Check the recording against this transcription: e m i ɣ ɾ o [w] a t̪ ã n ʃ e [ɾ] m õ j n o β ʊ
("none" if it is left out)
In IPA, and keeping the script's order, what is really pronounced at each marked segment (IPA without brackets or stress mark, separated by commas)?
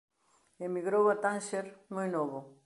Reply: w, ɾ